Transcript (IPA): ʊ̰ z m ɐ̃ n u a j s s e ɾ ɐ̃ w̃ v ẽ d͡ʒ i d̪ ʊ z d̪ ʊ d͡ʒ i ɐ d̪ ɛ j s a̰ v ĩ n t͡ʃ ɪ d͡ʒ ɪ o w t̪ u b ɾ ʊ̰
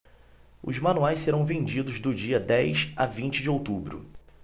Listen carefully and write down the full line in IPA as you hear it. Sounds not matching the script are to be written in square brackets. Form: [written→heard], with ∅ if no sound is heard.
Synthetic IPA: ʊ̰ z m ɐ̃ n u a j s s e ɾ ɐ̃ w̃ v ẽ d͡ʒ i d̪ ʊ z d̪ ʊ d͡ʒ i ɐ d̪ ɛ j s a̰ v ĩ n t͡ʃ ɪ d͡ʒ ɪ o w t̪ u b ɾ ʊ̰